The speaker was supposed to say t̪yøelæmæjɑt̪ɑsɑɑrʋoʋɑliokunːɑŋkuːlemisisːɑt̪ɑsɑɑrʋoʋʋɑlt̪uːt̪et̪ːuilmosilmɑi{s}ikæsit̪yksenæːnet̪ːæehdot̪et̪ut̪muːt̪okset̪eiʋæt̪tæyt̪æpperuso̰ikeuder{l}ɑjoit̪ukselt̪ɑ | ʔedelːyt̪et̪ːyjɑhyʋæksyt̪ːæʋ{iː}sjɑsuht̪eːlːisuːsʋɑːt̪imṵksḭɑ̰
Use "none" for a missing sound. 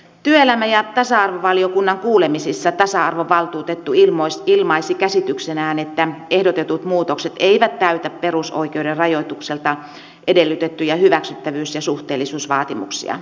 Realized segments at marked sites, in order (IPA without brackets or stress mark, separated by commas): s, r, yː